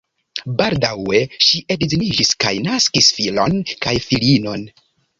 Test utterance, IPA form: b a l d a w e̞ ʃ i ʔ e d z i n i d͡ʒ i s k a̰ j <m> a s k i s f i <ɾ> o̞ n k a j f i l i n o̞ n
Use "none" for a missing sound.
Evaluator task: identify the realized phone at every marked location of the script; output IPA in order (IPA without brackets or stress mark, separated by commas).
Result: n, l